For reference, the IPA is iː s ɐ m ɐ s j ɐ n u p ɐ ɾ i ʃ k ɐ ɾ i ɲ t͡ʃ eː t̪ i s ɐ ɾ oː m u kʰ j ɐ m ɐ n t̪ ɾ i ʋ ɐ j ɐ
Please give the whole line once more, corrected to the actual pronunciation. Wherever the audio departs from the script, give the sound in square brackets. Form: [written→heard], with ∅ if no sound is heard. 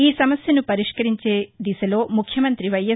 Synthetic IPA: iː s ɐ m ɐ s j ɐ n u p ɐ ɾ i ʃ k ɐ ɾ i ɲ t͡ʃ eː [t̪→d̪] i s ɐ [ɾ→l] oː m u kʰ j ɐ m ɐ n t̪ ɾ i ʋ ɐ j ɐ